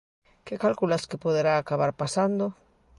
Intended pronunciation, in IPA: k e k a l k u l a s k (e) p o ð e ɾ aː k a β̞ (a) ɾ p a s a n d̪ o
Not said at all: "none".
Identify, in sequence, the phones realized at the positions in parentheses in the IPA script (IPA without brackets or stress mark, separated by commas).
e, a